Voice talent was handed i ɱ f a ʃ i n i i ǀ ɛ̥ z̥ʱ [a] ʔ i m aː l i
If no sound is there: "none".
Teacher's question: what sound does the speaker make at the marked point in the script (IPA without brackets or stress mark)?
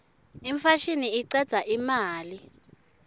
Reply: a